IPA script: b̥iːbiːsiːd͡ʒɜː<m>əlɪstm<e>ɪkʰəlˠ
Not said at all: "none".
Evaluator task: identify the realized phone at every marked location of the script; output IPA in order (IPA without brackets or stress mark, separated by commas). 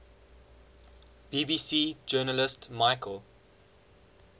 n, a